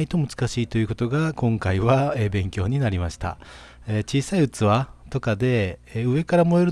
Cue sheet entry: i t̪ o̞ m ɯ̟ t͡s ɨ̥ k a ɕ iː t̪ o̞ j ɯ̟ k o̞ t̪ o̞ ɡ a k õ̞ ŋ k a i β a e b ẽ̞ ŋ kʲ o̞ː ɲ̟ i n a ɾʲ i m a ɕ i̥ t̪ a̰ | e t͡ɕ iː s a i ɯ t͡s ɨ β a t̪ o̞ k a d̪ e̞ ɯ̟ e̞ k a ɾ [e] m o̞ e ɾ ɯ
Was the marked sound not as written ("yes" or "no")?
yes